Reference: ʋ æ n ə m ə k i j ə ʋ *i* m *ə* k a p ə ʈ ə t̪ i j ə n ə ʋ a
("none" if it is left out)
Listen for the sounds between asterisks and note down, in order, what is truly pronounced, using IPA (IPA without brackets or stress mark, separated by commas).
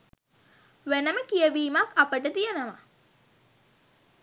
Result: iː, a